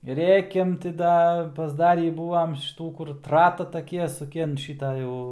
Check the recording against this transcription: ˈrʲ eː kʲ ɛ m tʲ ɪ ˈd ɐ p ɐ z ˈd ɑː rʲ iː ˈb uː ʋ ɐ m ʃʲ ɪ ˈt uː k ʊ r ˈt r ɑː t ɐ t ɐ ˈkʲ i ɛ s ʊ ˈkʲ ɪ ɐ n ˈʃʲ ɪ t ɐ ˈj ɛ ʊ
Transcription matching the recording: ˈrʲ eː kʲ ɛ m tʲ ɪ ˈd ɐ p ɐ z ˈd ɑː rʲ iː ˈb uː ʋ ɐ m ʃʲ ɪ ˈt uː k ʊ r ˈt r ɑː t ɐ t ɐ ˈkʲ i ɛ s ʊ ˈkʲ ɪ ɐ n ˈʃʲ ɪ t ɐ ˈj ɛ ʊ